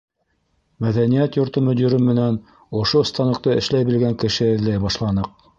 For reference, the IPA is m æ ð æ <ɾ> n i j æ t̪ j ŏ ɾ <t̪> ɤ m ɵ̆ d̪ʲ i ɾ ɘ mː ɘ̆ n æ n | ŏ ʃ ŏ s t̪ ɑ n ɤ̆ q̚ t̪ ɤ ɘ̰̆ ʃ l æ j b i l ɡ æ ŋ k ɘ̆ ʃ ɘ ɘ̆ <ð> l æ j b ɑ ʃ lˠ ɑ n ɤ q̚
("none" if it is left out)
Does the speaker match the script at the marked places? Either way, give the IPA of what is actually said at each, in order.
none, t̪, ð

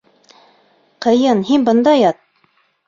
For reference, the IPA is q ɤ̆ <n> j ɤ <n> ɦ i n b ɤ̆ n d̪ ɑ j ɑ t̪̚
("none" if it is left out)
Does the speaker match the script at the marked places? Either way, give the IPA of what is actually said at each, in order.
none, n

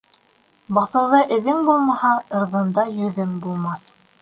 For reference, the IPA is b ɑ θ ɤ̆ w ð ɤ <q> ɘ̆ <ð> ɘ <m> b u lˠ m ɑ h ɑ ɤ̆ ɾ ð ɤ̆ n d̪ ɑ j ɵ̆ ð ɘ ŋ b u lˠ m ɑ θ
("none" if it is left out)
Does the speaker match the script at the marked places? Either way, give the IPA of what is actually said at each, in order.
ʔ, ð, ŋ

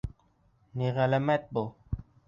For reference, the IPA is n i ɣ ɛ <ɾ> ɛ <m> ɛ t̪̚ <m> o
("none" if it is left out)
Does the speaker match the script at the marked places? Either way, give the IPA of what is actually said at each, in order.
l, m, b

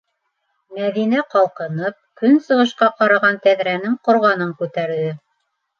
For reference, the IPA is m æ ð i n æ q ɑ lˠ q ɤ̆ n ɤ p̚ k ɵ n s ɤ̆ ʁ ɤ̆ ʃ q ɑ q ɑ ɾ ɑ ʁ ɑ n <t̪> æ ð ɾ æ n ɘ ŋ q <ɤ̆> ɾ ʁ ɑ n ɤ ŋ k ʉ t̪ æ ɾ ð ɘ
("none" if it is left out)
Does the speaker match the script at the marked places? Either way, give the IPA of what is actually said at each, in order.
t̪, ŏ

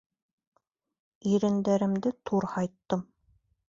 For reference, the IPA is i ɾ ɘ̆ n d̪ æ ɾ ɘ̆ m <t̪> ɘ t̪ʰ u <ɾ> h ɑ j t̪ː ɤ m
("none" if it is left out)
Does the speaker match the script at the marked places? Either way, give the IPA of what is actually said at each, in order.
d̪, ɾ

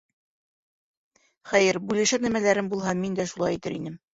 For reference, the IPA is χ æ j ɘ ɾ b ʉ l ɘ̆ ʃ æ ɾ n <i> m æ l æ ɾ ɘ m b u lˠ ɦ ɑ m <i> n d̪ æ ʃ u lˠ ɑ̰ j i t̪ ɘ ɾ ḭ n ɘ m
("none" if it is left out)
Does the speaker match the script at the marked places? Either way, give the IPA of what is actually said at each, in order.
æ, i

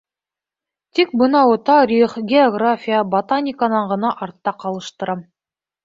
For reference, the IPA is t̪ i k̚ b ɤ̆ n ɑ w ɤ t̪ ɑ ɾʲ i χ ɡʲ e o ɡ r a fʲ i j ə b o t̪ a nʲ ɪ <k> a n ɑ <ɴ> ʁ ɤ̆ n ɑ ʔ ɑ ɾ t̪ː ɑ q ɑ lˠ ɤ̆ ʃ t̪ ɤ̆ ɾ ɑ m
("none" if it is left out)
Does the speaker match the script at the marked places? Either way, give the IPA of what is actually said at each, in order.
k, ɴ

